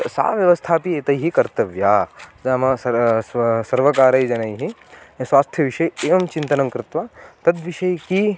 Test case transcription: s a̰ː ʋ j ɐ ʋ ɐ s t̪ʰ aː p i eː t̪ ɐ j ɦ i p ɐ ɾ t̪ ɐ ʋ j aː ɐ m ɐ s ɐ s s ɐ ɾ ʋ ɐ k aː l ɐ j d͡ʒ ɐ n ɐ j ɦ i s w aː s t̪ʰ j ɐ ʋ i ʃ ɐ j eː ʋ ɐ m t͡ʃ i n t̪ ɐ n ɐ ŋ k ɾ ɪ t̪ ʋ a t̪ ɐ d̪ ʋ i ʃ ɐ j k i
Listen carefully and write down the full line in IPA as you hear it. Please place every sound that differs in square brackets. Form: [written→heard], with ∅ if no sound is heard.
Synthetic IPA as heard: s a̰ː ʋ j ɐ ʋ ɐ s t̪ʰ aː p i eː t̪ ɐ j ɦ i [p→k] ɐ ɾ t̪ ɐ ʋ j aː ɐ m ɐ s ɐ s s ɐ ɾ ʋ ɐ k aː [l→ɾ] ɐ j d͡ʒ ɐ n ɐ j ɦ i s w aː s t̪ʰ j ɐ ʋ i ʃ ɐ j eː ʋ ɐ m t͡ʃ i n t̪ ɐ n ɐ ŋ k ɾ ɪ t̪ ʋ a t̪ ɐ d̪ ʋ i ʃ ɐ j k i